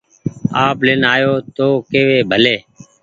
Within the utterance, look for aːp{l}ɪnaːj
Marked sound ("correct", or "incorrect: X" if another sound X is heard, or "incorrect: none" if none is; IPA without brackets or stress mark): correct